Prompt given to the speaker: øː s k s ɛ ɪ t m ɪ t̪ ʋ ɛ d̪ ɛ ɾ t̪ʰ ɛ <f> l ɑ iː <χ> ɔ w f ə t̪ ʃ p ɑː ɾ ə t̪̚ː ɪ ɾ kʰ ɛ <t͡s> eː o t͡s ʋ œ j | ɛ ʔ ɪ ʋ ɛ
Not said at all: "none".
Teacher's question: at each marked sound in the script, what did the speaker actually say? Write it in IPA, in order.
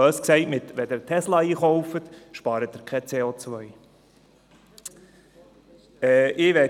s, χ, t͡s

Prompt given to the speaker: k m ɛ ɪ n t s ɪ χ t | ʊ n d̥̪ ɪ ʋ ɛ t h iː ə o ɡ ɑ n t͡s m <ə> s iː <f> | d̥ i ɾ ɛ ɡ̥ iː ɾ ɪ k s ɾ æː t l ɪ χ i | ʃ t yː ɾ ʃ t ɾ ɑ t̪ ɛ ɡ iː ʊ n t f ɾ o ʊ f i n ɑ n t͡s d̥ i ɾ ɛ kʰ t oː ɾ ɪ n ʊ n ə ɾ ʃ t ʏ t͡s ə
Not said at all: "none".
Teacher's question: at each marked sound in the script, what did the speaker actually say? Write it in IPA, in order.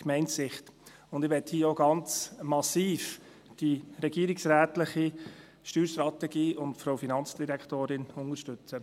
ɑ, f

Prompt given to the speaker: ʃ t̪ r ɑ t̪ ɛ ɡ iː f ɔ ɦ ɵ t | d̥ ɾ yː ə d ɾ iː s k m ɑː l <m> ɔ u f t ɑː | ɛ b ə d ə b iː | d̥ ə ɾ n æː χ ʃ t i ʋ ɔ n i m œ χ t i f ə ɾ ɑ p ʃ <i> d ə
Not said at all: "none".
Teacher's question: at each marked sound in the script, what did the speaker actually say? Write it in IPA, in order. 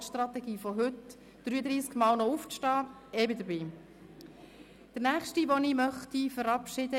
n, ɪ

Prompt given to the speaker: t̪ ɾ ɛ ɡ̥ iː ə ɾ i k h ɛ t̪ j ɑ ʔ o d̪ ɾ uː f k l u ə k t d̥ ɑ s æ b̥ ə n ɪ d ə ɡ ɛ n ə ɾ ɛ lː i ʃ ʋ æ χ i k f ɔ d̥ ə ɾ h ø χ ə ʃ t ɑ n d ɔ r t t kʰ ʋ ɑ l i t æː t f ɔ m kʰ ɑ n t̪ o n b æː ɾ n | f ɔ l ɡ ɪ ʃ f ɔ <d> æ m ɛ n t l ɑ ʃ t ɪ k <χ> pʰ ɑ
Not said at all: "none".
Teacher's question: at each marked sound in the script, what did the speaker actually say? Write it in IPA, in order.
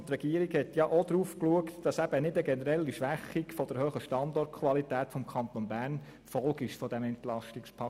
d, s

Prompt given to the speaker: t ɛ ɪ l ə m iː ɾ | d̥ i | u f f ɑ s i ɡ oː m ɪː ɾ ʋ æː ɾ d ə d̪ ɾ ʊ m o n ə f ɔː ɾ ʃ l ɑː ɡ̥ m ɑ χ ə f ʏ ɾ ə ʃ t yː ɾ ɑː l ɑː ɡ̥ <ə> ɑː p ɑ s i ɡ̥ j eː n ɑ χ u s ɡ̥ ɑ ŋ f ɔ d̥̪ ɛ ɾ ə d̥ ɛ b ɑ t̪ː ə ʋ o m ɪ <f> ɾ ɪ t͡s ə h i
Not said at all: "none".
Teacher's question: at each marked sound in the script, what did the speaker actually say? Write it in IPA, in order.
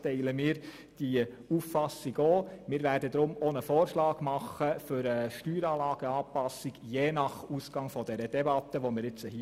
ə, none

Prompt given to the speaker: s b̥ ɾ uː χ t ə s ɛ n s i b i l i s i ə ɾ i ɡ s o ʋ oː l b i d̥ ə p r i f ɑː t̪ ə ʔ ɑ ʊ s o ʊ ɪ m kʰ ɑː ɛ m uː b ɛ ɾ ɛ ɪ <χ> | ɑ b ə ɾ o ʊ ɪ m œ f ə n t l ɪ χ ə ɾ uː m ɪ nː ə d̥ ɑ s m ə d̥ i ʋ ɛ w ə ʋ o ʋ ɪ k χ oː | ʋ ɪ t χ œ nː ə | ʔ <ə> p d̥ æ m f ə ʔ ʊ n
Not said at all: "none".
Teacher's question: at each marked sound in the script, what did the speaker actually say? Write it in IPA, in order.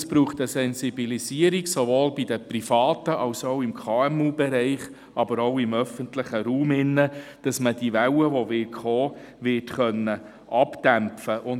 χ, ɑ

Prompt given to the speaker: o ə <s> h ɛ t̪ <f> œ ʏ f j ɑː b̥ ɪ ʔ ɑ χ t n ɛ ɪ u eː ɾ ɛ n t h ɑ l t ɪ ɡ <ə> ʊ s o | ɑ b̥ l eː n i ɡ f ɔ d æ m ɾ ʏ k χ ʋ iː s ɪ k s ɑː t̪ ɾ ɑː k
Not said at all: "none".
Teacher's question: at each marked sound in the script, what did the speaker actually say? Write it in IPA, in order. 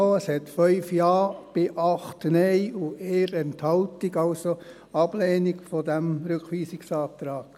s, f, ɑ

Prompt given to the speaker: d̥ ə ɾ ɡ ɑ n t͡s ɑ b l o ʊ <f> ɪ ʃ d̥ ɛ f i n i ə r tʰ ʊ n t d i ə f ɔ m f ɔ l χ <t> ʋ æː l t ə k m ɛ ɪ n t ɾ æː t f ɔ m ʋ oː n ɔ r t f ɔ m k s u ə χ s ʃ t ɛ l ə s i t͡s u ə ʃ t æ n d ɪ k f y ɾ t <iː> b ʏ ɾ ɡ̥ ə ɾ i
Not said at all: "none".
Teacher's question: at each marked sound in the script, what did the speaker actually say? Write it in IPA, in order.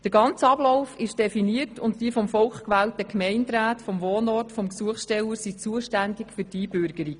f, k, iː

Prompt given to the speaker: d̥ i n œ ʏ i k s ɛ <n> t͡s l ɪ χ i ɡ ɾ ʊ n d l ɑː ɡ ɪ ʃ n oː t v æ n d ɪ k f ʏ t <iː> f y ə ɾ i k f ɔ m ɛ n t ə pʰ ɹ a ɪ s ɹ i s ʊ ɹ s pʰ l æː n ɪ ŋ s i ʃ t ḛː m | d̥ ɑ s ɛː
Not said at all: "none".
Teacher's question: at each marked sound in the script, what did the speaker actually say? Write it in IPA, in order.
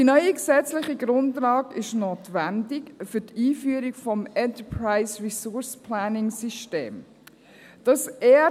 none, iː

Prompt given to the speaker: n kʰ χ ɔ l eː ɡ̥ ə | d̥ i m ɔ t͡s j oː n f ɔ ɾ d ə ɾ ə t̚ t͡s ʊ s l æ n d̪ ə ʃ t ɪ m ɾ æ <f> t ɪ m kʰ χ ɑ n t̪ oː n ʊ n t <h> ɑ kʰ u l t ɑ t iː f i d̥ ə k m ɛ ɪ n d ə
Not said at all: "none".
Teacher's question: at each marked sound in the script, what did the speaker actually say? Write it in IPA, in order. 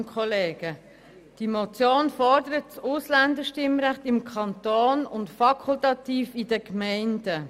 χ, f

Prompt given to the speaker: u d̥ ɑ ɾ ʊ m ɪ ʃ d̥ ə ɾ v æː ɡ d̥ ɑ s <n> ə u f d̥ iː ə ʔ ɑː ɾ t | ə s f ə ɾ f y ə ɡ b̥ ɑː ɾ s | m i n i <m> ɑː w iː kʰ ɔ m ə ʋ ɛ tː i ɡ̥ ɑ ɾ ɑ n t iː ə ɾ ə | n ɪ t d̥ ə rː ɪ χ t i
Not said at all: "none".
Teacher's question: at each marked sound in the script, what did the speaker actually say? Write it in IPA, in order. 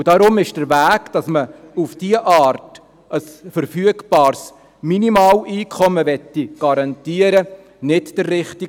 m, m

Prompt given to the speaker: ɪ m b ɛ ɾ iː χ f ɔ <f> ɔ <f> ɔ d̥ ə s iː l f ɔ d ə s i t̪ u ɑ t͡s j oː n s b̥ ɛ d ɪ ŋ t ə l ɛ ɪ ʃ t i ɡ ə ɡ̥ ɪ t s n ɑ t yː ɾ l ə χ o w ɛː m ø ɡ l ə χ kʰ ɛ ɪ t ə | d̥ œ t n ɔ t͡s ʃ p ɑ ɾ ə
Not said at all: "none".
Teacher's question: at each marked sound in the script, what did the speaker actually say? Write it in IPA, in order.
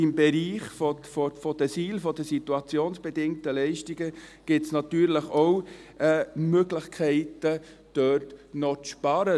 f, f

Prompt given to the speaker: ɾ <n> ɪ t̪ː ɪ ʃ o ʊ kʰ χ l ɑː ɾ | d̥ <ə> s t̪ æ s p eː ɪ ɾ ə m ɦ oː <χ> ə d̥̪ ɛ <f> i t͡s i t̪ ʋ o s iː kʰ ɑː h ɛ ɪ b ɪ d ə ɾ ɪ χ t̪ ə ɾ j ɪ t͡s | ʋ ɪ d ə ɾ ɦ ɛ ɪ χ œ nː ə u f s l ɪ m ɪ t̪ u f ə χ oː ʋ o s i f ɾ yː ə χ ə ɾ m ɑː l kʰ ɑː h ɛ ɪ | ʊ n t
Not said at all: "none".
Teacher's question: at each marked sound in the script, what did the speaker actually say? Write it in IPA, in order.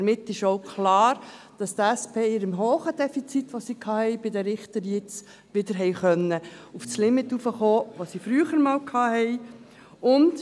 m, ɑ, χ, f

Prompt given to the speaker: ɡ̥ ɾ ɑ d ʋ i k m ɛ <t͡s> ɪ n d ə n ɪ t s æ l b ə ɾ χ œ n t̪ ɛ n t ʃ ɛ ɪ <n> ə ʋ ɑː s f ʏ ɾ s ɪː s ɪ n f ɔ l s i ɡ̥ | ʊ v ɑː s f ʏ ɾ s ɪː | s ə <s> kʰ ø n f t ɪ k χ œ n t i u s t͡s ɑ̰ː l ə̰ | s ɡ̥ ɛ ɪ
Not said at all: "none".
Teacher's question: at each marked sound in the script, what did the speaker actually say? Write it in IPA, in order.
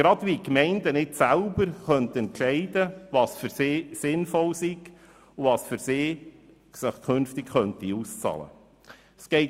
none, d, χ

